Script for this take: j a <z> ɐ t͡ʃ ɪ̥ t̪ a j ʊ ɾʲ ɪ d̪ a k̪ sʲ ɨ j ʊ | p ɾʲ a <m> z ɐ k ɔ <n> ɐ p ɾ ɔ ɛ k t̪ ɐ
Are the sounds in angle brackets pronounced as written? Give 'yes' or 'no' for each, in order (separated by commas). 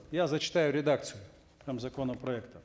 yes, yes, yes